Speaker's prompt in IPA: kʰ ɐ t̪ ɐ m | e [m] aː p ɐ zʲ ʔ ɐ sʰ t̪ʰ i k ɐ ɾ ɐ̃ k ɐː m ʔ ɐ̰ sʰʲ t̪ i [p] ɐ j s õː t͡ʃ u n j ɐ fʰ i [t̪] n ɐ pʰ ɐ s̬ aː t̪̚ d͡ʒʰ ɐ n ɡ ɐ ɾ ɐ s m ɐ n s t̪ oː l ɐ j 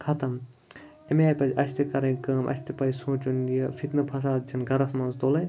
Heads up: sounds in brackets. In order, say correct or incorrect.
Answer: correct, correct, correct

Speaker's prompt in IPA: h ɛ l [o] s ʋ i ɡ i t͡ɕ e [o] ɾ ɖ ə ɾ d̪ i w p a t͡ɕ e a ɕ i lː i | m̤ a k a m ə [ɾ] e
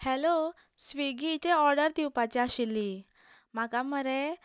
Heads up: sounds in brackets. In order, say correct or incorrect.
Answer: correct, incorrect: ɔ, correct

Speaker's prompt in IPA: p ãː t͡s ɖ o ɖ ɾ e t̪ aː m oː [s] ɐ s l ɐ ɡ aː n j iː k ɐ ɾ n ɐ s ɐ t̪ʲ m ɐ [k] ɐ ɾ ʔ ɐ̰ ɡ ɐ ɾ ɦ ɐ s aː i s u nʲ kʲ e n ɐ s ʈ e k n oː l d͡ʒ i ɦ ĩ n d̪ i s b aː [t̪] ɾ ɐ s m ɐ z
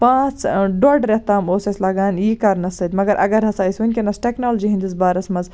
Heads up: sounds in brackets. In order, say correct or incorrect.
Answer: correct, incorrect: ɡ, incorrect: none

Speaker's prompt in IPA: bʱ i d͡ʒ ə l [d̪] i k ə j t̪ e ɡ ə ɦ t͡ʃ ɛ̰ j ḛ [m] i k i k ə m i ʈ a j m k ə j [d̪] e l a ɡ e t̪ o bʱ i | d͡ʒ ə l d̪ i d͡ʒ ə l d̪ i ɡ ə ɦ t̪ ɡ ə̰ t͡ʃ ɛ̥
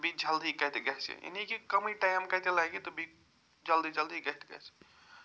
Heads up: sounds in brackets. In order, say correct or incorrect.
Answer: correct, incorrect: n, incorrect: t̪

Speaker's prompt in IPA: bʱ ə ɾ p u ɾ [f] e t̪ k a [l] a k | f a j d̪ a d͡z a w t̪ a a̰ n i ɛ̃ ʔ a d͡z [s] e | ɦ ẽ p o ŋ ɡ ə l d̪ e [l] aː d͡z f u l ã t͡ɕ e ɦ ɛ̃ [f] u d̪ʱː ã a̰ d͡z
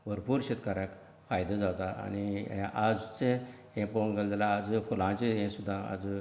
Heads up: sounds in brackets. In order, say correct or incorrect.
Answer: incorrect: ɕ, incorrect: ɾ, incorrect: t͡s, correct, incorrect: s

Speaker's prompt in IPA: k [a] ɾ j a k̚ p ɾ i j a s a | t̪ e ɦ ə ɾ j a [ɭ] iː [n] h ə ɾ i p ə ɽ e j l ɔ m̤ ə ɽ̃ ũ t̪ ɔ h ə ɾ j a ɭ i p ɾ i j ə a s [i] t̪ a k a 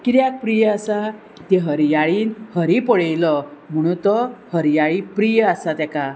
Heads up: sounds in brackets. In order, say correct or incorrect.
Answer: incorrect: i, correct, correct, incorrect: a

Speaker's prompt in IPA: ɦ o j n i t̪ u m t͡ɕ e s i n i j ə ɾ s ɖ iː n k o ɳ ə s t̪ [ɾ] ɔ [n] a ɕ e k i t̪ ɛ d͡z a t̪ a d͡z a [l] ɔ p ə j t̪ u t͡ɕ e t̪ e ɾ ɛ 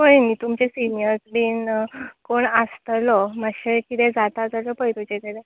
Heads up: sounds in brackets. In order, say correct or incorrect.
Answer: incorrect: l, incorrect: m, correct

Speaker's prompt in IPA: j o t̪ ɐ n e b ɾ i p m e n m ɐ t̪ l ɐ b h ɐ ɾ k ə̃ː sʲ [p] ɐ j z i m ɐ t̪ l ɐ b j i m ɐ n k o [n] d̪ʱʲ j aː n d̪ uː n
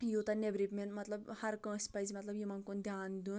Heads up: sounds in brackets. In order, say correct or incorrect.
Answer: correct, correct

